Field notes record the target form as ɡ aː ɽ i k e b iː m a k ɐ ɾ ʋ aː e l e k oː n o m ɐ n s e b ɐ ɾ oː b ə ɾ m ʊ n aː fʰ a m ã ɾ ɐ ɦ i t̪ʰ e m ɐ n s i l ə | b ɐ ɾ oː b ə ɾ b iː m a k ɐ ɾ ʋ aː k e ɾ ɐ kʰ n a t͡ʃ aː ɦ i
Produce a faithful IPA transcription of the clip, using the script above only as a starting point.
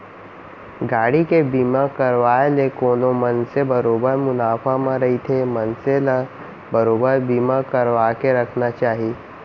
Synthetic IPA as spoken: ɡ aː ɽ i k e b iː m a k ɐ ɾ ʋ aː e l e k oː n o m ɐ n s e b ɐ ɾ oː b ə ɾ m ʊ n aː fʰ a m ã ɾ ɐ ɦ i t̪ʰ e m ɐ n s e l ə | b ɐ ɾ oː b ə ɾ b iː m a k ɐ ɾ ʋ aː k e ɾ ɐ kʰ n a t͡ʃ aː ɦ i